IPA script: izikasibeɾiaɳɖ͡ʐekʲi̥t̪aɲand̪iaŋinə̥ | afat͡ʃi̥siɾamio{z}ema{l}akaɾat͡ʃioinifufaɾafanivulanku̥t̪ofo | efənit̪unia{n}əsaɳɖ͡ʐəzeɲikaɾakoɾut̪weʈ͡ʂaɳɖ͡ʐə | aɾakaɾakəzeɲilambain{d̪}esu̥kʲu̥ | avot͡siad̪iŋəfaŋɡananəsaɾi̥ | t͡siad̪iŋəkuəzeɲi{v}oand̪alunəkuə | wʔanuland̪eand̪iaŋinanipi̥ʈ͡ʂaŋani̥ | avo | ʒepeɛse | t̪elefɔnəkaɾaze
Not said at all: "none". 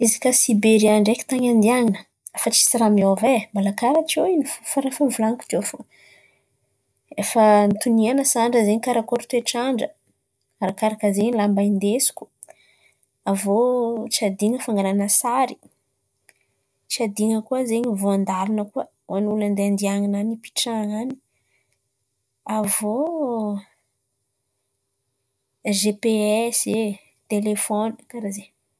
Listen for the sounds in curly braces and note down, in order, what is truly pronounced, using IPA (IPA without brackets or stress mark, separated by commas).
v, l, n, d̪, v